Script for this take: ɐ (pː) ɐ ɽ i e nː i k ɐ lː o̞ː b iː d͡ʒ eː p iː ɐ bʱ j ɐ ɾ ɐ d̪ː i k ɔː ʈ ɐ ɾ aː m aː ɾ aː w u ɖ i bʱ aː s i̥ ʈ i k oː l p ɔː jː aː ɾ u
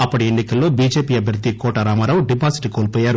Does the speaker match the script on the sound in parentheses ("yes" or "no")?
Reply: yes